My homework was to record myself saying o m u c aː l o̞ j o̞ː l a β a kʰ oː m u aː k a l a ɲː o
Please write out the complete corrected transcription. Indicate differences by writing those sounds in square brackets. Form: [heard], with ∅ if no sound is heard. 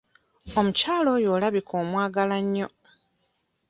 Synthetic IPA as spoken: o m u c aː l o̞ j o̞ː l a β [i] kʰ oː m [w] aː [ɡ] a l a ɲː o